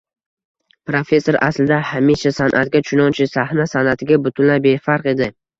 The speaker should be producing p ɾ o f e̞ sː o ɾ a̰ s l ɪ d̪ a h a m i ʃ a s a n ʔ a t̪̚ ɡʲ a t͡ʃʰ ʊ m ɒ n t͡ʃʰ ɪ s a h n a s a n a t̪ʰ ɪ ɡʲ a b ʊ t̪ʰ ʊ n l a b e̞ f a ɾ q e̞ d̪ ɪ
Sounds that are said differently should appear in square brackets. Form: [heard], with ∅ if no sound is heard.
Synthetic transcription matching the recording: p ɾ o f e̞ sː o ɾ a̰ s l ɪ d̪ a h a m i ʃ a s a n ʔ a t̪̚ ɡʲ a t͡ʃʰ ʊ [n] ɒ n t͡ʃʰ ɪ s a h n a s a n a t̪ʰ ɪ ɡʲ a b ʊ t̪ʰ ʊ n l a b e̞ f a ɾ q e̞ d̪ ɪ